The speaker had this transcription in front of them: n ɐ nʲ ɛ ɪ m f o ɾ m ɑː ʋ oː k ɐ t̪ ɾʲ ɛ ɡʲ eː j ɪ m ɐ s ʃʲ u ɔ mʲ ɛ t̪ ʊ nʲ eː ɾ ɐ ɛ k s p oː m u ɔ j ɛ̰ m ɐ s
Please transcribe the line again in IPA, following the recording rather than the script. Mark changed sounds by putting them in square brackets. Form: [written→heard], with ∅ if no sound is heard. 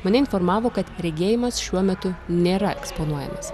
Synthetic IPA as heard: [n→m] ɐ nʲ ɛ ɪ [m→n] f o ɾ m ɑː ʋ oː k ɐ t̪ ɾʲ ɛ ɡʲ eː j ɪ m ɐ s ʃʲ u ɔ mʲ ɛ t̪ ʊ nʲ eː ɾ ɐ ɛ k s p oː [m→n] u ɔ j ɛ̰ m ɐ s

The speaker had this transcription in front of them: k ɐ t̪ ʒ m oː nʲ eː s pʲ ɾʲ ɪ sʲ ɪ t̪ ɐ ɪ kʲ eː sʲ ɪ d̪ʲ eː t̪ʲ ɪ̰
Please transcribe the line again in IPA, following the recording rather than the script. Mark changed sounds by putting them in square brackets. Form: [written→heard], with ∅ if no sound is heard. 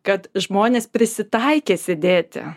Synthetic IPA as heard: k ɐ t̪ ʒ m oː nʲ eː s pʲ ɾʲ ɪ sʲ ɪ t̪ ɐ ɪ kʲ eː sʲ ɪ d̪ʲ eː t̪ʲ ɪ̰

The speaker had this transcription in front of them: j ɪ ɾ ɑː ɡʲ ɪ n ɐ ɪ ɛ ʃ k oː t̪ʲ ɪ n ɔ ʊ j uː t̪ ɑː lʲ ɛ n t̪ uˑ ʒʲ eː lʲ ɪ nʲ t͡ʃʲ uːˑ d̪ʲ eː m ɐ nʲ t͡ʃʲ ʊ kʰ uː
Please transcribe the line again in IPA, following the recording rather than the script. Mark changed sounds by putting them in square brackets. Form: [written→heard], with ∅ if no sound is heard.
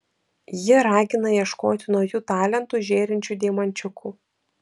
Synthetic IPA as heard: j ɪ ɾ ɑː ɡʲ ɪ n ɐ [ɪ→i] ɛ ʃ k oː t̪ʲ ɪ n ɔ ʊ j uː t̪ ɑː lʲ ɛ n t̪ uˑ ʒʲ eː [lʲ→ɾʲ] ɪ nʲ t͡ʃʲ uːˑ d̪ʲ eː m ɐ nʲ t͡ʃʲ ʊ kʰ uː

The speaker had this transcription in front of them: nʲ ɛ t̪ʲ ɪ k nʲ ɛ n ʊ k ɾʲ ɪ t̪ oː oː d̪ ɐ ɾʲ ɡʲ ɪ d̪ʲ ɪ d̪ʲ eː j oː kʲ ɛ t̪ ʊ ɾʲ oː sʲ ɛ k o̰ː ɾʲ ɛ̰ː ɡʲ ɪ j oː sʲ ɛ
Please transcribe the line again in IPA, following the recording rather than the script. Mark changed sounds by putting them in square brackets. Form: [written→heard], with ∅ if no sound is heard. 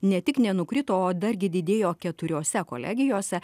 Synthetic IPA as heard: nʲ ɛ t̪ʲ ɪ k nʲ ɛ n ʊ k ɾʲ ɪ t̪ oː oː d̪ ɐ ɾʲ ɡʲ ɪ d̪ʲ ɪ d̪ʲ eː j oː kʲ ɛ t̪ ʊ ɾʲ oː sʲ ɛ k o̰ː [ɾʲ→lʲ] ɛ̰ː ɡʲ ɪ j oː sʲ ɛ

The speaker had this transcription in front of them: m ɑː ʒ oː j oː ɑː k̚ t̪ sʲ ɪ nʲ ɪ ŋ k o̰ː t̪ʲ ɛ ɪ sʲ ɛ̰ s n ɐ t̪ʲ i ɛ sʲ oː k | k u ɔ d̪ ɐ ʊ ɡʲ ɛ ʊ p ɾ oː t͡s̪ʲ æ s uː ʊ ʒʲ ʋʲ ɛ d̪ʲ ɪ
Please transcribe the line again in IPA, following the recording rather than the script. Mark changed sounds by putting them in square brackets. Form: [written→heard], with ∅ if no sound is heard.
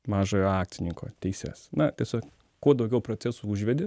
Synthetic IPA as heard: m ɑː ʒ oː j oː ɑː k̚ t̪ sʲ ɪ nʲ ɪ ŋ k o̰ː t̪ʲ ɛ ɪ sʲ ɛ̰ s n ɐ t̪ʲ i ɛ sʲ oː k | k u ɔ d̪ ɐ ʊ ɡʲ ɛ ʊ p ɾ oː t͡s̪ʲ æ s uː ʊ ʒʲ ʋʲ ɛ d̪ʲ ɪ

